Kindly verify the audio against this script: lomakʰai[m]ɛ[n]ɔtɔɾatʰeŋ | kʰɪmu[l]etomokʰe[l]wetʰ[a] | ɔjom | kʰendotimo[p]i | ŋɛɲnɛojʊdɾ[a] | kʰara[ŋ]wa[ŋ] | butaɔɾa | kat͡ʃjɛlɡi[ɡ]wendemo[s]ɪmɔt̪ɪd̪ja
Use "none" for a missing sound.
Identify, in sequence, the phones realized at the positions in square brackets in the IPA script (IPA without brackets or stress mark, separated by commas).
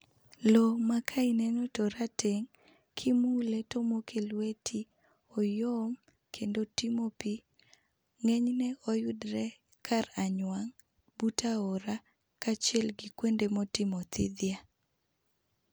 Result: n, n, l, l, i, p, ɛ, ɲ, ŋ, k, t